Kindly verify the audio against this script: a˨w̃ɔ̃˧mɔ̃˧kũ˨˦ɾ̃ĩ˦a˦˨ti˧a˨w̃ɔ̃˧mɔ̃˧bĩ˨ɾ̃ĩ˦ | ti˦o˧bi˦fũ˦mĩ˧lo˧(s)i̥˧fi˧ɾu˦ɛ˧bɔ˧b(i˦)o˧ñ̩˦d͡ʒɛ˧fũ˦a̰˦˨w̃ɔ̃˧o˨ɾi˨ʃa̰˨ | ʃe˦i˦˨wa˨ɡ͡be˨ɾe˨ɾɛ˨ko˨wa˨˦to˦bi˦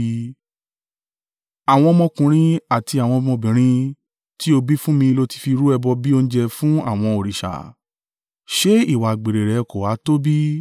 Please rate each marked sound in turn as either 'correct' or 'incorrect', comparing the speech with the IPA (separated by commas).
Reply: incorrect, correct